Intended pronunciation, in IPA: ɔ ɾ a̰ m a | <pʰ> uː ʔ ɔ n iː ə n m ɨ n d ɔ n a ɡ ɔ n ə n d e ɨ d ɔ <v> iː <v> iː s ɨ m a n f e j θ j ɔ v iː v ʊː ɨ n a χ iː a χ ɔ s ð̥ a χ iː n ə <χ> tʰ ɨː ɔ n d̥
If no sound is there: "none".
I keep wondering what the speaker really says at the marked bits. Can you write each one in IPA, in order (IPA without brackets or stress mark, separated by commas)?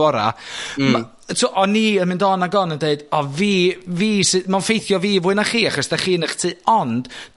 tʰ, v, v, χ